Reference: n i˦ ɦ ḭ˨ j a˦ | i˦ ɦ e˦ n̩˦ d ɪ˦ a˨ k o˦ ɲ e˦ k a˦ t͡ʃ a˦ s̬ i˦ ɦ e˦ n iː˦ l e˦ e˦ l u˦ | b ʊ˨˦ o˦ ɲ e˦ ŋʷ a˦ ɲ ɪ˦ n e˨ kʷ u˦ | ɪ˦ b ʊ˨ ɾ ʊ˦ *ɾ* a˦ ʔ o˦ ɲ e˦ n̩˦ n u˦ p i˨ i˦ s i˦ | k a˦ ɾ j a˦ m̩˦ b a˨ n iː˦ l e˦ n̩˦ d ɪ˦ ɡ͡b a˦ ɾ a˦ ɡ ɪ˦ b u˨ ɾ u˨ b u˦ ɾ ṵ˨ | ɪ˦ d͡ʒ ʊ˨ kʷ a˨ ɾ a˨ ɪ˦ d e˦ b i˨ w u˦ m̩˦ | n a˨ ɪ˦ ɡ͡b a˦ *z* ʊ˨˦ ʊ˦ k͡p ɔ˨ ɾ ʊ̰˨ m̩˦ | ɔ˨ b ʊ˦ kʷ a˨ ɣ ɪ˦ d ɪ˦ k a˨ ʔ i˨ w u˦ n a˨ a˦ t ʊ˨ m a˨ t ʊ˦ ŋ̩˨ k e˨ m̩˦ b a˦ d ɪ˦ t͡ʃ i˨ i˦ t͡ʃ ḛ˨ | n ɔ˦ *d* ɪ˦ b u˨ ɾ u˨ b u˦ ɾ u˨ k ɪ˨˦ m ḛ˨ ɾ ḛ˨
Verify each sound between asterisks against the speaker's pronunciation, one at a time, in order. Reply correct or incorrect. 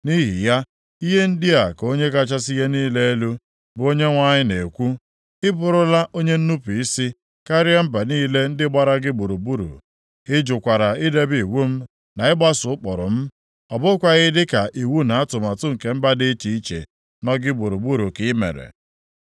incorrect, incorrect, incorrect

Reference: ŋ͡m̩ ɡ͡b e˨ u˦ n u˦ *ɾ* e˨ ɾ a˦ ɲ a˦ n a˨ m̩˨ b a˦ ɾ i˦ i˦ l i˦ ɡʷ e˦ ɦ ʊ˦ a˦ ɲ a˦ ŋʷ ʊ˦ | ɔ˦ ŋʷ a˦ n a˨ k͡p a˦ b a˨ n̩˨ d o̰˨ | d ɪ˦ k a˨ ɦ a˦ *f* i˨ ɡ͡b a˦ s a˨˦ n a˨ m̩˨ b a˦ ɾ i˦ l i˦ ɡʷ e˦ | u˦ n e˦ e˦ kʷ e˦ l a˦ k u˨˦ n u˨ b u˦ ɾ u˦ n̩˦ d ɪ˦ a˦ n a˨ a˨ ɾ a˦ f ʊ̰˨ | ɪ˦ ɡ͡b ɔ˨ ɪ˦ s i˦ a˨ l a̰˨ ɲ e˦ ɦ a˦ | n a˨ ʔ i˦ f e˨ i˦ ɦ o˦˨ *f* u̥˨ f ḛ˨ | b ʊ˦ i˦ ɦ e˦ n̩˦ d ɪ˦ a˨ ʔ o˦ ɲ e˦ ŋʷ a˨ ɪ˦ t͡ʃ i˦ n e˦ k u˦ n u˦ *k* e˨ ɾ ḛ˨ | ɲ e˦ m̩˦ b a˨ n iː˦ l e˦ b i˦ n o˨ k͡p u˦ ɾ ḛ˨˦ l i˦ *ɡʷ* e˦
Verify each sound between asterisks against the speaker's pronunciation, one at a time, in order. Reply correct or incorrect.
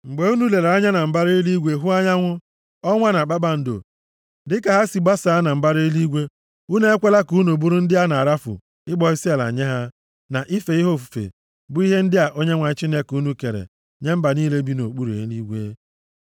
incorrect, incorrect, correct, correct, correct

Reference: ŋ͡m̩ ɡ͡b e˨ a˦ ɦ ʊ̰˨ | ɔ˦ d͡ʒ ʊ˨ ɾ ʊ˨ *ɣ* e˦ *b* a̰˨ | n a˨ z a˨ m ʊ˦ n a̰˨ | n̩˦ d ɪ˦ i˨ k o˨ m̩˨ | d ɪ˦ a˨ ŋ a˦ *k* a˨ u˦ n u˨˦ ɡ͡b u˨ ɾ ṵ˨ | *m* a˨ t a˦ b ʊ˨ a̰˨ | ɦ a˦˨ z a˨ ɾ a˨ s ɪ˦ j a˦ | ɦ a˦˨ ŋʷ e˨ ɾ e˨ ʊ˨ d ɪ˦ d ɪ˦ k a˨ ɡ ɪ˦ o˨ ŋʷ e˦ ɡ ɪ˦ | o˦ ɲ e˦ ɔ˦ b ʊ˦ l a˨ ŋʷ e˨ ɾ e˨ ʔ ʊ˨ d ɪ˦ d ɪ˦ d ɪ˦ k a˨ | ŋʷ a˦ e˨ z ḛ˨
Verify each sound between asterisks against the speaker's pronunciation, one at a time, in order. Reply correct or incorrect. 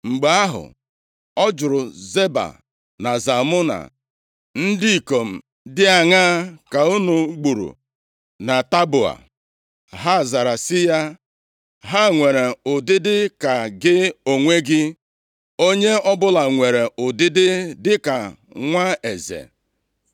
incorrect, correct, correct, incorrect

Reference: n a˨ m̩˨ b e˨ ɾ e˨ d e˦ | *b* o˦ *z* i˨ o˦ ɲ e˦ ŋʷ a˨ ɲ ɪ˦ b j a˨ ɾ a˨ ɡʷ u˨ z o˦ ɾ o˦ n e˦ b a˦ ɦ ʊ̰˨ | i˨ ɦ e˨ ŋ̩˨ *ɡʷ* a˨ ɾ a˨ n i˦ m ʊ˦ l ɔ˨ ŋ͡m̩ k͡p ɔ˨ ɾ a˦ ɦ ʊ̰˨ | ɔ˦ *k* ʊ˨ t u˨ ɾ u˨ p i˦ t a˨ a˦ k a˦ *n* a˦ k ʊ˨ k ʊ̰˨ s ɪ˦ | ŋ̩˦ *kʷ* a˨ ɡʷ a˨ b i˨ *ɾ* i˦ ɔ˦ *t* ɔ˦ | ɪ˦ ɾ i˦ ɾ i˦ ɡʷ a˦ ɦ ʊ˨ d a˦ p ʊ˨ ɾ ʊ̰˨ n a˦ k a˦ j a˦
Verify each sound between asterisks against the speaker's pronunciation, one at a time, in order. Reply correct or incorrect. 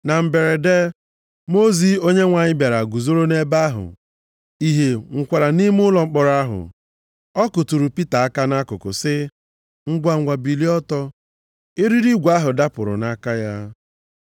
incorrect, correct, incorrect, correct, correct, incorrect, incorrect, correct

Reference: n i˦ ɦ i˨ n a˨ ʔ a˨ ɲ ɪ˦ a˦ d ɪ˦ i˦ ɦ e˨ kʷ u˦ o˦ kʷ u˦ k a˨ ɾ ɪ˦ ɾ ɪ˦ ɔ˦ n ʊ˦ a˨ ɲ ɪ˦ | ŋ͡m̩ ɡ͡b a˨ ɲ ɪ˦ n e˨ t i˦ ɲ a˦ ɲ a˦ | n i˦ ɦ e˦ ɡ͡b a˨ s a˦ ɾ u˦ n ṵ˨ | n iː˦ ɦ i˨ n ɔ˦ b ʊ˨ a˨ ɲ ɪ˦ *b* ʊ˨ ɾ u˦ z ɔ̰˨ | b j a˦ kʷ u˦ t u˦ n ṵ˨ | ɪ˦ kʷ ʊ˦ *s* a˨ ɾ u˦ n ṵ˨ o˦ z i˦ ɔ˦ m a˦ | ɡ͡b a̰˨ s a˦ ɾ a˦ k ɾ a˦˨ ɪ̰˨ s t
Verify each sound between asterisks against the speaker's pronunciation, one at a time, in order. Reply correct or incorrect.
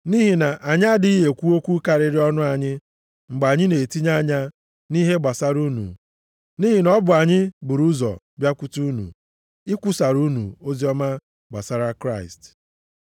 correct, correct

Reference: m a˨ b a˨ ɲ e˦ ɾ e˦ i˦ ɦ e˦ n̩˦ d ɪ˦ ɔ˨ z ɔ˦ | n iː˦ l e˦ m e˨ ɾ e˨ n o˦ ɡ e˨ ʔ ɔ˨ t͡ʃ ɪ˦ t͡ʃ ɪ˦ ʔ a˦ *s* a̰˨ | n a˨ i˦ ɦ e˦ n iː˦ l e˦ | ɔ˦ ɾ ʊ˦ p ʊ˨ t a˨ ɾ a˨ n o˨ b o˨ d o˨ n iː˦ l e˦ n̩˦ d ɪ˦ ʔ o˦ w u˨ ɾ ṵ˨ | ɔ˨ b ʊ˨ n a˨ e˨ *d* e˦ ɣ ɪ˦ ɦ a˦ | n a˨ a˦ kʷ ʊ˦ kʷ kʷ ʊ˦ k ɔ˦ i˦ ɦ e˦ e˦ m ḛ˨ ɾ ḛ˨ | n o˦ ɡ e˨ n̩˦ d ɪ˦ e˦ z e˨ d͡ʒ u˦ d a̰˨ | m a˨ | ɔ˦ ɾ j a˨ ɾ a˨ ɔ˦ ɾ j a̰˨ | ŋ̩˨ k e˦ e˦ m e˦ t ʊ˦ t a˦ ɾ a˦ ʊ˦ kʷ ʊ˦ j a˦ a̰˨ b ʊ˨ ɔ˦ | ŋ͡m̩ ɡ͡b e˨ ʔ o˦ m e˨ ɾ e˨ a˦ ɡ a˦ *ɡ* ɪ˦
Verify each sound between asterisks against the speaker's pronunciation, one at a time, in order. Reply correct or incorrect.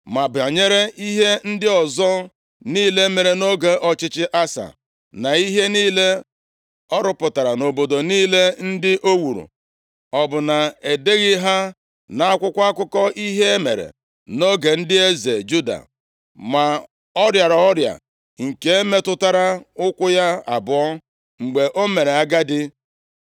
correct, correct, incorrect

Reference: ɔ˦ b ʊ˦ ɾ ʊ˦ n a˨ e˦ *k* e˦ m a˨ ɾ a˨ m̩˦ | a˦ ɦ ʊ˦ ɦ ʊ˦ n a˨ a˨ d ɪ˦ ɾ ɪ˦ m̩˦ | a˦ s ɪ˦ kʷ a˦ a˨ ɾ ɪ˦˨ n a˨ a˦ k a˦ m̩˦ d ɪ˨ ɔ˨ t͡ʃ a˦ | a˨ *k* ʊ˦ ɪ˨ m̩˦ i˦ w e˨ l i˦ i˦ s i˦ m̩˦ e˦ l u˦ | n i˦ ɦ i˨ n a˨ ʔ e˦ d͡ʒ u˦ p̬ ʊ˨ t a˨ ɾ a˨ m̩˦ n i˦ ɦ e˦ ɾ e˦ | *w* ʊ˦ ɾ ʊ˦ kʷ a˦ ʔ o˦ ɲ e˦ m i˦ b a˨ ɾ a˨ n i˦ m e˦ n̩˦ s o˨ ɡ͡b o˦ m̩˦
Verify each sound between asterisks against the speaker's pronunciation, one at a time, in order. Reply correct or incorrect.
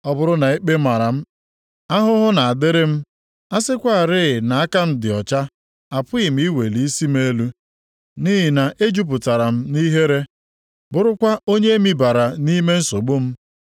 incorrect, incorrect, incorrect

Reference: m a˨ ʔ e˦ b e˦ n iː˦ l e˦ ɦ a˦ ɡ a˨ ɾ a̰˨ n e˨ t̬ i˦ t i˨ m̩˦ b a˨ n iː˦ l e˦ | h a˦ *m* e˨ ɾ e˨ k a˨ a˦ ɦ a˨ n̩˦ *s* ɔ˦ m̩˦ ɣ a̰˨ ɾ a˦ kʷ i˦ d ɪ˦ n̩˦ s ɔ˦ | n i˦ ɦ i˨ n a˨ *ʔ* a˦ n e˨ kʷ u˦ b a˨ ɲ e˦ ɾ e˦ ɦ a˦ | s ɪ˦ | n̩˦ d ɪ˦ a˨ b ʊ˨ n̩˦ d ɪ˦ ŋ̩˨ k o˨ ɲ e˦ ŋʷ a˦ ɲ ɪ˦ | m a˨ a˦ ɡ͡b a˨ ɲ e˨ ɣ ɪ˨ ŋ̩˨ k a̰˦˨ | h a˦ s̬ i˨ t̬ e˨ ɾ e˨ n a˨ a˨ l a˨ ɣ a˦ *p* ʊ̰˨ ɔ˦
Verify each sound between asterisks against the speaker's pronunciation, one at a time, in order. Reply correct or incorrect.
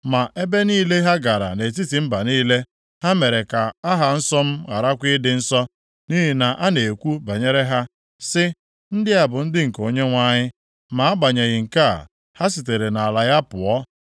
correct, correct, correct, correct

